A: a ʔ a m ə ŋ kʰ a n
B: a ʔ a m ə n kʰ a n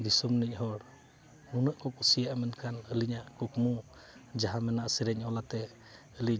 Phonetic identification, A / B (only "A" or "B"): B